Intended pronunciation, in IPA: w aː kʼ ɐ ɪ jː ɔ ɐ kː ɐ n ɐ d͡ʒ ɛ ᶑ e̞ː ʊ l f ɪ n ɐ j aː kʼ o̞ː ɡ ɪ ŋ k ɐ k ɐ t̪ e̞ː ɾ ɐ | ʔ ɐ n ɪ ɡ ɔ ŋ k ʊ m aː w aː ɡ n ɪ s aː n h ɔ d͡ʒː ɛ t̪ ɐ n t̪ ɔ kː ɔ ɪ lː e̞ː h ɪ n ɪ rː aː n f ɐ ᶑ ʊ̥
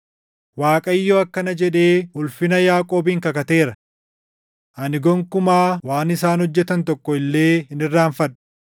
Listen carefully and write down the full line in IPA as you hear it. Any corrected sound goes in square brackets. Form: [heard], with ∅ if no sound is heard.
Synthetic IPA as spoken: w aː kʼ ɐ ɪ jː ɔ ɐ kː ɐ n ɐ d͡ʒ ɛ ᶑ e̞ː ʊ l f ɪ n ɐ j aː kʼ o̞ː [b] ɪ ŋ k ɐ k ɐ t̪ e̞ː ɾ ɐ | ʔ ɐ n ɪ ɡ ɔ ŋ k ʊ m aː w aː [∅] n ɪ s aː n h ɔ d͡ʒː ɛ t̪ ɐ n t̪ ɔ kː ɔ ɪ lː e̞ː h ɪ n ɪ rː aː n f ɐ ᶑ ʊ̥

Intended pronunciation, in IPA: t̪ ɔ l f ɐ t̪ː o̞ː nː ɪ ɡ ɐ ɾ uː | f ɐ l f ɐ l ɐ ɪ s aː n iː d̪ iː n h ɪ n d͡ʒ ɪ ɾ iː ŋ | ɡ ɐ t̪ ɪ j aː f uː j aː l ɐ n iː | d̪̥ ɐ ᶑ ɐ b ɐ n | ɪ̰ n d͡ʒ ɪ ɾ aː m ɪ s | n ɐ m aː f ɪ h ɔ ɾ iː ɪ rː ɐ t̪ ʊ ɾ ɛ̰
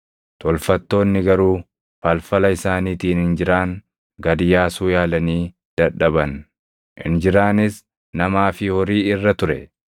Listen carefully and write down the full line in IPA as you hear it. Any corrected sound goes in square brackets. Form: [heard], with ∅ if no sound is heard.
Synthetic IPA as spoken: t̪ ɔ l f ɐ t̪ː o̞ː nː ɪ ɡ ɐ ɾ uː | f ɐ l f ɐ l ɐ ɪ s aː n iː [t̪] iː n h ɪ n d͡ʒ ɪ ɾ [aː] ŋ | ɡ ɐ [d̪] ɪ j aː [s] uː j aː l ɐ n iː | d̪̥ ɐ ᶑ ɐ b ɐ n | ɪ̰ n d͡ʒ ɪ ɾ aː [n] ɪ s | n ɐ m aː f ɪ h ɔ ɾ iː ɪ rː ɐ t̪ ʊ ɾ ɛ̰

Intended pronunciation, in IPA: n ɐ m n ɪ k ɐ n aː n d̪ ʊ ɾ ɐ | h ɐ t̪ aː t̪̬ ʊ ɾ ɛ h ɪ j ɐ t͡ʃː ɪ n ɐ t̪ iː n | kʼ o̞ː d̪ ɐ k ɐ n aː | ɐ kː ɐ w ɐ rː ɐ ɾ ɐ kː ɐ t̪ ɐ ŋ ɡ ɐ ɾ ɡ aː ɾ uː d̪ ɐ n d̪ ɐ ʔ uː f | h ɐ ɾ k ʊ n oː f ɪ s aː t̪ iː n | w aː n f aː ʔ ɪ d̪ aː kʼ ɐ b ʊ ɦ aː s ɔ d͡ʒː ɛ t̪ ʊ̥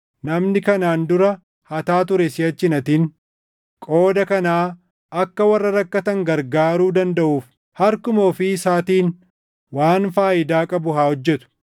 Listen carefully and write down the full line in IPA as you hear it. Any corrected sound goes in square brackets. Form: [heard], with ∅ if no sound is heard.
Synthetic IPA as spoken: n ɐ m n ɪ k ɐ n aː n d̪ ʊ ɾ ɐ | h ɐ t̪ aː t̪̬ ʊ ɾ ɛ [s] ɪ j ɐ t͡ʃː ɪ n ɐ t̪ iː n | kʼ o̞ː d̪ ɐ k ɐ n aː | ɐ kː ɐ w ɐ rː ɐ ɾ ɐ kː ɐ t̪ ɐ ŋ ɡ ɐ ɾ ɡ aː ɾ uː d̪ ɐ n d̪ ɐ ʔ uː f | h ɐ ɾ k ʊ [m] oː f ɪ s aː t̪ iː n | w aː n f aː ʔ ɪ d̪ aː kʼ ɐ b ʊ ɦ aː [h] ɔ d͡ʒː ɛ t̪ ʊ̥

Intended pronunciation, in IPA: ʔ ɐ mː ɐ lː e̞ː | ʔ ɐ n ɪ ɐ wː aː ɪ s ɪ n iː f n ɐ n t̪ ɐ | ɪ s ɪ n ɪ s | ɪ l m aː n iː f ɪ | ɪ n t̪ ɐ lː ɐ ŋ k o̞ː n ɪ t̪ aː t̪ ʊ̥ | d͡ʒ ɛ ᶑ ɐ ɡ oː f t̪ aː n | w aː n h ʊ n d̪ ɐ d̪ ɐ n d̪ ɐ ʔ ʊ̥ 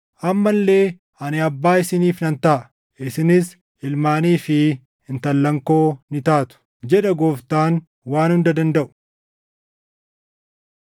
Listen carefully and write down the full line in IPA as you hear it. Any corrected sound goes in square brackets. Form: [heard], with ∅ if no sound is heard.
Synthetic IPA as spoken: ʔ ɐ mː ɐ lː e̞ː | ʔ ɐ n ɪ ɐ [bː] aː ɪ s ɪ n iː f n ɐ n t̪ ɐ | ɪ s ɪ n ɪ s | ɪ l m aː n iː f ɪ | ɪ n t̪ ɐ lː ɐ ŋ k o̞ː n ɪ t̪ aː t̪ ʊ̥ | d͡ʒ ɛ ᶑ ɐ ɡ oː f t̪ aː n | w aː n h ʊ n d̪ ɐ d̪ ɐ n d̪ ɐ ʔ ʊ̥

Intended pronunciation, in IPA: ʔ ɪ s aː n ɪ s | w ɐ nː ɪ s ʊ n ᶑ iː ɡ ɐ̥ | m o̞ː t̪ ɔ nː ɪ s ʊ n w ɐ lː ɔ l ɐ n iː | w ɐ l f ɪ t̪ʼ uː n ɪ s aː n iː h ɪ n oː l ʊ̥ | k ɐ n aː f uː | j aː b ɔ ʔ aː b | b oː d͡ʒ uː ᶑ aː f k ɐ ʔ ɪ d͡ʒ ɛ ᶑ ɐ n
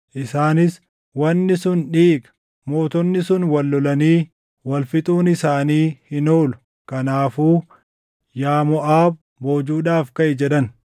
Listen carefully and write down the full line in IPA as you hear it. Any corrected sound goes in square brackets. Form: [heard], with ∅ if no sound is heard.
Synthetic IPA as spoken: ʔ ɪ s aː n ɪ s | w ɐ nː ɪ s ʊ n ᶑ iː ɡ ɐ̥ | m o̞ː t̪ ɔ nː ɪ s ʊ n w ɐ lː ɔ l ɐ n iː | w ɐ l f ɪ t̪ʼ uː n ɪ s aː n iː h ɪ n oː l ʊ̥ | k ɐ n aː f uː | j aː [m] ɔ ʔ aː b | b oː d͡ʒ uː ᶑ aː f k ɐ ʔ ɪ d͡ʒ ɛ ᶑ ɐ n

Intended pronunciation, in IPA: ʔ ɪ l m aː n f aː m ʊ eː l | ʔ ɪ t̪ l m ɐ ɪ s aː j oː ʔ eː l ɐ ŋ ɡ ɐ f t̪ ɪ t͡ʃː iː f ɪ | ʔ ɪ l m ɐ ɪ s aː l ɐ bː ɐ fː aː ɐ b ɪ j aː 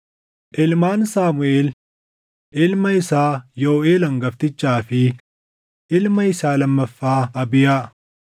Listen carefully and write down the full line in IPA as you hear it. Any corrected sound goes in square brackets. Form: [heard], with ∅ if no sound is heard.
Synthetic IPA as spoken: ʔ ɪ l m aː n [s] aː m ʊ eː l | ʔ ɪ [∅] l m ɐ ɪ s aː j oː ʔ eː l ɐ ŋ ɡ ɐ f t̪ ɪ t͡ʃː [aː] f ɪ | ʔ ɪ l m ɐ ɪ s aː l ɐ [mː] ɐ fː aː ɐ b ɪ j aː

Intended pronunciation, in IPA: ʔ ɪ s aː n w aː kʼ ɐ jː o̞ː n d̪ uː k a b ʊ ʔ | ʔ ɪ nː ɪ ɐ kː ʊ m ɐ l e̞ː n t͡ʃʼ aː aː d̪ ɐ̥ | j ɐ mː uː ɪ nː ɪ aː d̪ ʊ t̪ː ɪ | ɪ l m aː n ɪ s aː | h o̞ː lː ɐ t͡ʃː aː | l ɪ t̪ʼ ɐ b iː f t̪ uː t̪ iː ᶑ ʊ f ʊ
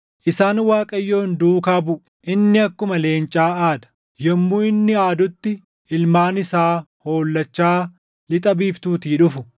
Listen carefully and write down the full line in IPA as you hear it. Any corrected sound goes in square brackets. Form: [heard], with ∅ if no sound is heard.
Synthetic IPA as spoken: ʔ ɪ s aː n w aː kʼ ɐ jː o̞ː n d̪ uː k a b ʊ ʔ | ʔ ɪ nː ɪ ɐ kː ʊ m ɐ l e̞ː n t͡ʃʼ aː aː d̪ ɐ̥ | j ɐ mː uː ɪ nː ɪ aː d̪ ʊ t̪ː ɪ | ɪ l m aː n ɪ s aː | h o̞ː lː ɐ t͡ʃː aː | l ɪ t̪ʼ ɐ b iː f t̪ uː t̪ iː ᶑ ʊ f ʊ

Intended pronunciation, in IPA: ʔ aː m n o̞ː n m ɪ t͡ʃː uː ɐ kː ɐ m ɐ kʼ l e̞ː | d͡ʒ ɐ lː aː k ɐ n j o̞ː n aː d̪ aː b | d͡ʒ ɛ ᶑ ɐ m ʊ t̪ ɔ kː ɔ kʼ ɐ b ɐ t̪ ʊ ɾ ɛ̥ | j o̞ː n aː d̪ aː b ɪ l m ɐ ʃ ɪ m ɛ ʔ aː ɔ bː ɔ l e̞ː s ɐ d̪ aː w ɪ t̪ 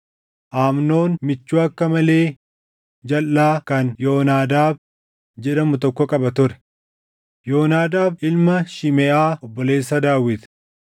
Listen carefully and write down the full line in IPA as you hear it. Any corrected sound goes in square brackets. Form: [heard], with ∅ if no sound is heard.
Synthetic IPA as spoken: ʔ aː m n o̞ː n m ɪ t͡ʃː uː ɐ kː ɐ m ɐ [∅] l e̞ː | d͡ʒ ɐ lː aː k ɐ n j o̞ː n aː d̪ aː b | d͡ʒ ɛ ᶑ ɐ m ʊ t̪ ɔ kː ɔ kʼ ɐ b ɐ t̪ ʊ ɾ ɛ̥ | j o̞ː n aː d̪ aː b ɪ l m ɐ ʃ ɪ m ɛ ʔ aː ɔ bː ɔ l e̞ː [sː] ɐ d̪ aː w ɪ t̪

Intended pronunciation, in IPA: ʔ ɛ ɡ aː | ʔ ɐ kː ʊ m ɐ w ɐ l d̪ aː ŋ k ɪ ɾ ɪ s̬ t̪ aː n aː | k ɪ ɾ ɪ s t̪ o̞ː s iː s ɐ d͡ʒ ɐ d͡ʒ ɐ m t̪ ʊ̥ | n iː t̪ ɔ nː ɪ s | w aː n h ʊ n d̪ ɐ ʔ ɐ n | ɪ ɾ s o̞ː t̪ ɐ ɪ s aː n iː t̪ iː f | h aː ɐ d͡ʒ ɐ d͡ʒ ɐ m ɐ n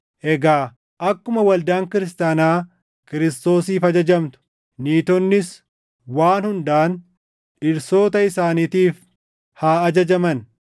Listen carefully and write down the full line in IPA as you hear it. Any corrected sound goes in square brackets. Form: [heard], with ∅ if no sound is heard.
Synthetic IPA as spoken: ʔ ɛ ɡ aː | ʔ ɐ kː ʊ m ɐ w ɐ l d̪ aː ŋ k ɪ ɾ ɪ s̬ t̪ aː n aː | k ɪ ɾ ɪ s t̪ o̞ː s iː [f] ɐ d͡ʒ ɐ d͡ʒ ɐ m t̪ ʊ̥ | n iː t̪ ɔ nː ɪ s | w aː n h ʊ n d̪ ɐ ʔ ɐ n | ɪ ɾ s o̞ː t̪ ɐ ɪ s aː n iː t̪ iː f | h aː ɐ d͡ʒ ɐ d͡ʒ ɐ m ɐ n

